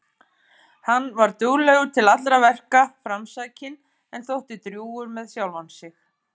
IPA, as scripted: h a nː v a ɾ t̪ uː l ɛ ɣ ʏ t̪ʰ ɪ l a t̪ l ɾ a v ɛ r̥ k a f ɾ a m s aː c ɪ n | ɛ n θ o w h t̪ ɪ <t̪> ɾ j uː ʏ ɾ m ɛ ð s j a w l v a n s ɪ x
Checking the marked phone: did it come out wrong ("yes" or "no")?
no